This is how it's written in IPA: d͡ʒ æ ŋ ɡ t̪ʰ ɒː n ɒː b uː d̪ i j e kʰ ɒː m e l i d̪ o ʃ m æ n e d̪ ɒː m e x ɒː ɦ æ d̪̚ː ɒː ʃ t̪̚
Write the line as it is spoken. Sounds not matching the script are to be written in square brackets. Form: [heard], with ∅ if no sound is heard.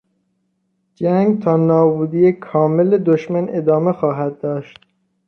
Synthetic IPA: d͡ʒ æ ŋ ɡ t̪ʰ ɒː n ɒː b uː d̪ i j e kʰ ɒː m e l [e] d̪ o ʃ m æ n e d̪ ɒː m e x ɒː ɦ æ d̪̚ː ɒː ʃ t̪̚